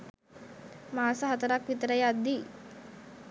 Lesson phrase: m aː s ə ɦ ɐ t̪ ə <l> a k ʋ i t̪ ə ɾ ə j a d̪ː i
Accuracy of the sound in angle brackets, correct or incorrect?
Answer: incorrect